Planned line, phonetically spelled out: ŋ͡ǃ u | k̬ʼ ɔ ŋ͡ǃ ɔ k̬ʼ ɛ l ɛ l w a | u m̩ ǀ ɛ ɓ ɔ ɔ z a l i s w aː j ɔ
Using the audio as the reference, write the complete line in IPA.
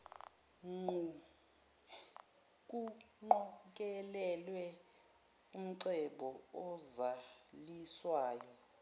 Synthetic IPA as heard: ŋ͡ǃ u | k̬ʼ u ŋ͡ǃ ɔ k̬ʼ ɛ l ɛ l w ɛ | u m̩ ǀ ɛ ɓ ɔ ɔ z a l i s w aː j ɔ